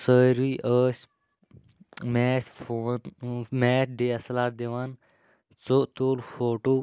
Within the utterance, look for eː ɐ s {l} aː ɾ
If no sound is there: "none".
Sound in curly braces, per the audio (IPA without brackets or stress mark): l